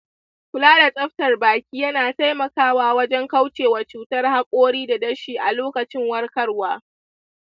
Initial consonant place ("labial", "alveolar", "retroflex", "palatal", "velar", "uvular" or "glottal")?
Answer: velar